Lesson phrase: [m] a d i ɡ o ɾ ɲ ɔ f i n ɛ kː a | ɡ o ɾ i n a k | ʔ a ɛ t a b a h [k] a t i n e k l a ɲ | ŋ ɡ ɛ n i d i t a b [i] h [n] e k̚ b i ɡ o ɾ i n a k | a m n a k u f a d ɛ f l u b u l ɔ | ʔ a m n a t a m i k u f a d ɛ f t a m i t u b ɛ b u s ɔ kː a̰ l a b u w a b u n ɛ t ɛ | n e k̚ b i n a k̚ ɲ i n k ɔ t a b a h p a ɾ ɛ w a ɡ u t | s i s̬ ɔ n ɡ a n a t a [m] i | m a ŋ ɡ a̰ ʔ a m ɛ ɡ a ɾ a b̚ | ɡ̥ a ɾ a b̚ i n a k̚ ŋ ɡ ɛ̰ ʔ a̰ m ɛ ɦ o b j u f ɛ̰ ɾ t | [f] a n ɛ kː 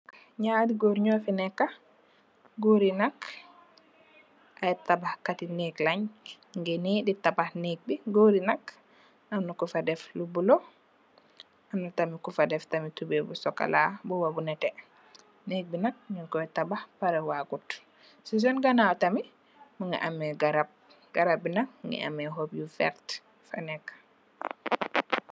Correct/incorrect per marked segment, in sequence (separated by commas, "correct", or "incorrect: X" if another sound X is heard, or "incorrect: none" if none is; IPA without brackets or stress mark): incorrect: ɲ, correct, incorrect: a, correct, correct, correct